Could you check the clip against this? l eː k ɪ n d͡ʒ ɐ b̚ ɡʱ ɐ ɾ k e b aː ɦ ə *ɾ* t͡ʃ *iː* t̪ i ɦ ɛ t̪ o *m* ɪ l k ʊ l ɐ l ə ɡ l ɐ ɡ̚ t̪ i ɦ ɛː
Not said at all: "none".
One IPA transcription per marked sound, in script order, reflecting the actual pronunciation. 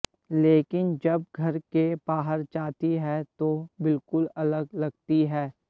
ɾ, aː, b

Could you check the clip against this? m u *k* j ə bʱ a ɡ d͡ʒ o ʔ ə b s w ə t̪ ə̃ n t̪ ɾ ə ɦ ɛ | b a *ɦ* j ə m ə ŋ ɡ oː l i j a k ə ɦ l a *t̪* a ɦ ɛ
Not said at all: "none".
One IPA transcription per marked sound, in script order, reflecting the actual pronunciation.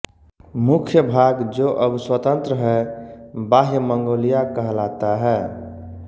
kʰ, ɦ, t̪

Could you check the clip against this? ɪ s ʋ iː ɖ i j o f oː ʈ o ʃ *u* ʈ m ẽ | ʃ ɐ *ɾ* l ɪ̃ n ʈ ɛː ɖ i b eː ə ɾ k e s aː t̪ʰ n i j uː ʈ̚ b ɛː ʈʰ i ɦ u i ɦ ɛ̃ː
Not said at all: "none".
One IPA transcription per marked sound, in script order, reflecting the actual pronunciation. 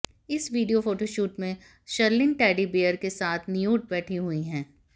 uː, ɾ

